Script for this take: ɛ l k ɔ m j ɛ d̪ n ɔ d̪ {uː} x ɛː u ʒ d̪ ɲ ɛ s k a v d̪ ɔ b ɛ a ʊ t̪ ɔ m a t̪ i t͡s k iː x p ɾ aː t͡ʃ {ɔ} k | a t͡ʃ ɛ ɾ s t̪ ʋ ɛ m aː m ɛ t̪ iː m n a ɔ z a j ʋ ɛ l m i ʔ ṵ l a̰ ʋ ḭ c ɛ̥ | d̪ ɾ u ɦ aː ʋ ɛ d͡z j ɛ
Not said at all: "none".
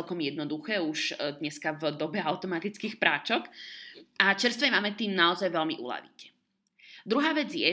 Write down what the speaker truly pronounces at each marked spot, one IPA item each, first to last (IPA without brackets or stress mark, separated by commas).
u, ɔ